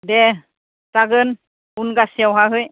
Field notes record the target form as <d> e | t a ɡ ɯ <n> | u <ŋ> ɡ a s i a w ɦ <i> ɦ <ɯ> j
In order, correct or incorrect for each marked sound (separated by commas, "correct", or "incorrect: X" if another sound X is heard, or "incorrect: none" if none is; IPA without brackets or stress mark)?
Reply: correct, correct, incorrect: n, incorrect: a, correct